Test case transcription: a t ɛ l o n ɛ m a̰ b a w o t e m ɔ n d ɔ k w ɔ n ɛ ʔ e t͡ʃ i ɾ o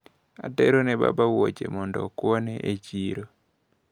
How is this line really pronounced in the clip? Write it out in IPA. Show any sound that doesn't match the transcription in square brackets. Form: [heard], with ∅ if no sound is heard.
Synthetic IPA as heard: a t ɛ [ɾ] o n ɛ [b] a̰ b a w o [t͡ʃ] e m ɔ n d ɔ k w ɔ n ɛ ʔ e t͡ʃ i ɾ o